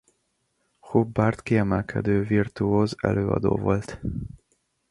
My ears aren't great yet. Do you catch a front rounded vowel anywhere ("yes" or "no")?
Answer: yes